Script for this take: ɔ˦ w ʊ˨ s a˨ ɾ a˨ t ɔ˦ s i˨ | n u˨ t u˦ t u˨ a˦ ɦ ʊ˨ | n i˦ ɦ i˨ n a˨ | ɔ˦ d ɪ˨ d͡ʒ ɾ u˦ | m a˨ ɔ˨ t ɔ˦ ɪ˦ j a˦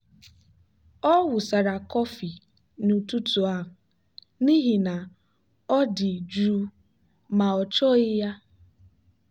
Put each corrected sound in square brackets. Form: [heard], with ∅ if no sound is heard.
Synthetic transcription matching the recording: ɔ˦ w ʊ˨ s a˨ ɾ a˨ [k] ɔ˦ [f] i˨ | n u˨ t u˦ t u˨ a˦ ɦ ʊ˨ | n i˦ ɦ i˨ n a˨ | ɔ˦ d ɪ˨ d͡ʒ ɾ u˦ | m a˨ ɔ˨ [t͡ʃ] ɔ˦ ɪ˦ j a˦